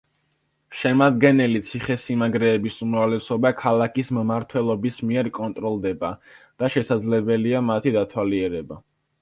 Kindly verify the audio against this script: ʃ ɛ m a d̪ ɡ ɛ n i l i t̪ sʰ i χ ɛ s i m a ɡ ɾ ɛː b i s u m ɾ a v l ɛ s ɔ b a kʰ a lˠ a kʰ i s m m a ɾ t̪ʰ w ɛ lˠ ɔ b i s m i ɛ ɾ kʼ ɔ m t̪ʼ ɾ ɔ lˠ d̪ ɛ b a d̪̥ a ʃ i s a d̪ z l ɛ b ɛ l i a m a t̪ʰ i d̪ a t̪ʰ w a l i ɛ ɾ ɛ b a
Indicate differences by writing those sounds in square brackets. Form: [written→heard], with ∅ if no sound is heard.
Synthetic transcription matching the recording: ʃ ɛ m a d̪ ɡ ɛ n [i→ɛ] l i t̪ sʰ i χ ɛ s i m a ɡ ɾ ɛː b i s u m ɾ a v l ɛ s ɔ b a kʰ a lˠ a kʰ i s m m a ɾ t̪ʰ w ɛ lˠ ɔ b i s m i ɛ ɾ kʼ ɔ [m→n] t̪ʼ ɾ ɔ lˠ d̪ ɛ b a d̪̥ a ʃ [i→ɛ] s a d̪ z l ɛ b ɛ l i a m a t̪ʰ i d̪ a t̪ʰ w a l i ɛ ɾ ɛ b a